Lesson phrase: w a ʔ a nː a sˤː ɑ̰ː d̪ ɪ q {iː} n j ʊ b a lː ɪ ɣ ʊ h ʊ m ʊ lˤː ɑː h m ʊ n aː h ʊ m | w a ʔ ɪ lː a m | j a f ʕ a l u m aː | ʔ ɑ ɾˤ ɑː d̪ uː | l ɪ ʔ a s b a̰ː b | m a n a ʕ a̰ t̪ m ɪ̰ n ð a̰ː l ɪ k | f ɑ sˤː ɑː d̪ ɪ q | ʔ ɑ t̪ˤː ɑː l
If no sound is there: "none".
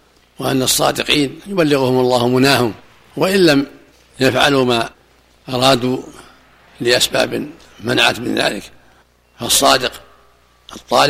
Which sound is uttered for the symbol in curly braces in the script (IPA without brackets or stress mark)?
iː